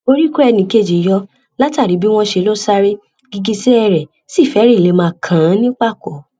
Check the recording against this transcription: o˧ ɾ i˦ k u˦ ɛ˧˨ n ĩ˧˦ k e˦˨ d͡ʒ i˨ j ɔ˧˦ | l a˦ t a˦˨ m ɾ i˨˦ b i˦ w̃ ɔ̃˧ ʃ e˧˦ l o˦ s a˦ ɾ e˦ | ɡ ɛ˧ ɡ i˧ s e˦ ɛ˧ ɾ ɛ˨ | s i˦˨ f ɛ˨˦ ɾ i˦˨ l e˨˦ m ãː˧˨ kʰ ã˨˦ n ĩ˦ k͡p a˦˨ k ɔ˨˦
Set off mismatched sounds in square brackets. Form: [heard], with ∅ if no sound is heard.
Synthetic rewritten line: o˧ ɾ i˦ k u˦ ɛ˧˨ n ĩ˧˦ k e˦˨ d͡ʒ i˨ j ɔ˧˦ | l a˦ t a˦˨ [∅] ɾ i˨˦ b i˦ w̃ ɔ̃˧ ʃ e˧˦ l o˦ s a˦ ɾ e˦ | ɡ [i˧] ɡ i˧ s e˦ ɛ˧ ɾ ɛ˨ | s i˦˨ f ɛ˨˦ ɾ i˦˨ l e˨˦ m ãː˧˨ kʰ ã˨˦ n ĩ˦ k͡p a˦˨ k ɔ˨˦

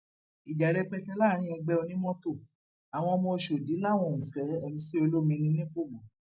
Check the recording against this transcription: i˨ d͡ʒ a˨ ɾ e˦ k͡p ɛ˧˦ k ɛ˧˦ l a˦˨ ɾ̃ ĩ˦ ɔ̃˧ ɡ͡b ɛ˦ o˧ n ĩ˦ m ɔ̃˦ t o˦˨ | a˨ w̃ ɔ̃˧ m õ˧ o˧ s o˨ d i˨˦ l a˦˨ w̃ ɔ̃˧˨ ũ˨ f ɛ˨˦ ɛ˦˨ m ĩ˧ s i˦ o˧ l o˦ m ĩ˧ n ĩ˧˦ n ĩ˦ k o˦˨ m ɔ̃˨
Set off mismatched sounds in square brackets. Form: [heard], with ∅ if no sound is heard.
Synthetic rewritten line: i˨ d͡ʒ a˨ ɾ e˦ k͡p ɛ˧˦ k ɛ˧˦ l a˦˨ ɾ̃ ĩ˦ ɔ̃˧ ɡ͡b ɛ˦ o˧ n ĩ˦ m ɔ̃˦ t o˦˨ | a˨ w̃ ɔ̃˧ m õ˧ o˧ [ʃ] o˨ d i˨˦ l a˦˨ w̃ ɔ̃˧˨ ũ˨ f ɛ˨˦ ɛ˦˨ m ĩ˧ s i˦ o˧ l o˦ m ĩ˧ n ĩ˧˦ n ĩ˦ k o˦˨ m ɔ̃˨

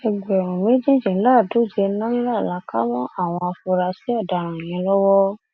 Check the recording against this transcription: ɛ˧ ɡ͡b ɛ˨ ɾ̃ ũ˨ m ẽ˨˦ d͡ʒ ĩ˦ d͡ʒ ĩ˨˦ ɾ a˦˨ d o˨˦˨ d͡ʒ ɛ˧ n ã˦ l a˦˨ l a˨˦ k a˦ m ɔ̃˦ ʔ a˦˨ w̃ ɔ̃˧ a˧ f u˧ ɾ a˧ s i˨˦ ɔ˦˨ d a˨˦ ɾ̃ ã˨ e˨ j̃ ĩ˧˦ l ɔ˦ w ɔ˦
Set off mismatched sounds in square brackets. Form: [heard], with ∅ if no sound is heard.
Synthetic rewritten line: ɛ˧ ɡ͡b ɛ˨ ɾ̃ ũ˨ m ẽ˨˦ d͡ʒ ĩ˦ d͡ʒ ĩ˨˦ [l] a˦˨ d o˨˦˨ d͡ʒ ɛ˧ n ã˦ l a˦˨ l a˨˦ k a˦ m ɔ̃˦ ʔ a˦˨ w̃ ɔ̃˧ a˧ f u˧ ɾ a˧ s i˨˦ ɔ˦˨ d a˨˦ ɾ̃ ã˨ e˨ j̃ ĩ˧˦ l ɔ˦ w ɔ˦

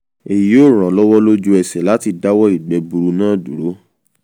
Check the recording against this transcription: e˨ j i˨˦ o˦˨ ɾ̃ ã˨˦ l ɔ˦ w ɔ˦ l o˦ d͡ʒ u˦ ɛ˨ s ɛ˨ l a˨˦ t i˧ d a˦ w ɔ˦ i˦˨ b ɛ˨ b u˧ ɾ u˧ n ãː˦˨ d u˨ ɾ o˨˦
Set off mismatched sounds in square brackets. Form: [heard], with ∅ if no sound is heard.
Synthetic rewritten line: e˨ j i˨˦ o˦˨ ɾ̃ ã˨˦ l ɔ˦ w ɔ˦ l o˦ d͡ʒ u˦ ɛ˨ s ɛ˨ l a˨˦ t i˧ d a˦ w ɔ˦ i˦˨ [ɡ͡b] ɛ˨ b u˧ ɾ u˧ n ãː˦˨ d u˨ ɾ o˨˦

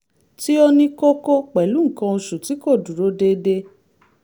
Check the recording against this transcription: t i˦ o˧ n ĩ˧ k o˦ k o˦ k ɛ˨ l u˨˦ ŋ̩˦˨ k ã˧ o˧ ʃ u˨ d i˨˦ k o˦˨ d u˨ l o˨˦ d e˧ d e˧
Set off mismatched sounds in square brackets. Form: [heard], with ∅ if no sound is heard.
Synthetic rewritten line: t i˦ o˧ n ĩ˧ k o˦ k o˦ [k͡p] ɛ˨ l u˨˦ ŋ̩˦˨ k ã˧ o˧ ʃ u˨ [t] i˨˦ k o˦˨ d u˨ [ɾ] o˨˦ d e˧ d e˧

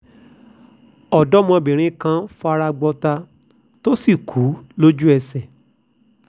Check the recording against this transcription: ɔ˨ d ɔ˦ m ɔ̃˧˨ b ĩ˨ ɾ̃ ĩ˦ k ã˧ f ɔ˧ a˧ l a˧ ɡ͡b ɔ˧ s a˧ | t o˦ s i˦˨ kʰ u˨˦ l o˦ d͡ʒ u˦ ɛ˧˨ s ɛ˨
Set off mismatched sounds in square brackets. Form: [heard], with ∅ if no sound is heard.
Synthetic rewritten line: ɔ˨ d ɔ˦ m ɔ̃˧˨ b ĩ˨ ɾ̃ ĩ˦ k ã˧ f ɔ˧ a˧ [ɾ] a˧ ɡ͡b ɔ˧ [t] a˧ | t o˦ s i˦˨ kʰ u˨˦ l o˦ d͡ʒ u˦ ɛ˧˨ s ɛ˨

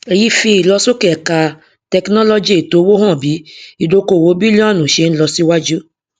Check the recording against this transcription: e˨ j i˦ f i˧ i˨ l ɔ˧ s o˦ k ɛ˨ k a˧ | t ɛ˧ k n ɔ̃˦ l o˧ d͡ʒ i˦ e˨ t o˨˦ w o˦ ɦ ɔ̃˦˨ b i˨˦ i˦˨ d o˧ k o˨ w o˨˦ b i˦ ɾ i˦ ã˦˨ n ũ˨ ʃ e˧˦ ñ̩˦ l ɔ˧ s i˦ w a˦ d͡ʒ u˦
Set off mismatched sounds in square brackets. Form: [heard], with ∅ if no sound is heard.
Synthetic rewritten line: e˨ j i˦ f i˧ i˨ l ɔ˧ s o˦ k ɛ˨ k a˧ | t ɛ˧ k n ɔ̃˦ l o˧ d͡ʒ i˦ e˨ t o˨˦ w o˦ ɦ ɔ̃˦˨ b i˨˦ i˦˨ d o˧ k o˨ w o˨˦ b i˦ [l] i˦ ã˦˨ n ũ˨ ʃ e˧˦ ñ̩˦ l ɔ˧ s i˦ w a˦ d͡ʒ u˦

